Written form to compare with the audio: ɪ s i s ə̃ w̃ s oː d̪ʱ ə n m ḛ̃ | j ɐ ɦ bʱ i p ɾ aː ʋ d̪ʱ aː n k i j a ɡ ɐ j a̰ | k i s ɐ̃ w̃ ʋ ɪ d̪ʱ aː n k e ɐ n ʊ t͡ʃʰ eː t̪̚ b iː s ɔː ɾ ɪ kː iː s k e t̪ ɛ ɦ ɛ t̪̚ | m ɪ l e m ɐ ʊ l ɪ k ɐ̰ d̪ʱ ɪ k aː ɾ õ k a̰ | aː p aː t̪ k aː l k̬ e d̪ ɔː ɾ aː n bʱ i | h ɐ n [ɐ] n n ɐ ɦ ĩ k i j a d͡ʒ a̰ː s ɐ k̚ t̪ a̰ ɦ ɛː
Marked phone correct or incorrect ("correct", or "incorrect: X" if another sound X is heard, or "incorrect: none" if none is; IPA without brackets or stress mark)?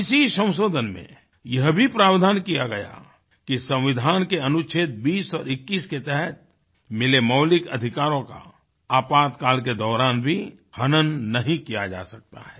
incorrect: ə